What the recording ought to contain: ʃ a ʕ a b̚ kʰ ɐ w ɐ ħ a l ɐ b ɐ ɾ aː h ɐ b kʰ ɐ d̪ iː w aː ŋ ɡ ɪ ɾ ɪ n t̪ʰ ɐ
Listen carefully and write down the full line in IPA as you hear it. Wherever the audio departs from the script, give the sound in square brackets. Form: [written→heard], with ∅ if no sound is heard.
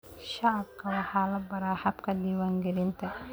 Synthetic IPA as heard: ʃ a ʕ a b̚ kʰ ɐ w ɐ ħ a l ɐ b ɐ ɾ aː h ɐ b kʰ ɐ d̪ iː w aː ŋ ɡ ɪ ɾ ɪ n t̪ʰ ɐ